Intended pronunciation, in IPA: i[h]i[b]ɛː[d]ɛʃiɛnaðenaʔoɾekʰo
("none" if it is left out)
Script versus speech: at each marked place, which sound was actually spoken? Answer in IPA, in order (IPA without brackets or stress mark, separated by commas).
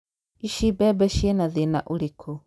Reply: ʃ, b, b